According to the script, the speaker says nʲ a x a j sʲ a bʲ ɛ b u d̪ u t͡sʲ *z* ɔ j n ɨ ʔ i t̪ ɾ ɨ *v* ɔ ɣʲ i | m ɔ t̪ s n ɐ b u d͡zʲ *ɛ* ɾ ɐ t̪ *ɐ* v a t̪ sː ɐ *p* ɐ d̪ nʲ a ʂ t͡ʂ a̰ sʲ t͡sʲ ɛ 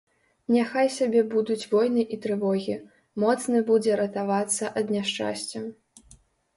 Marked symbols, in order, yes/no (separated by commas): no, yes, yes, no, no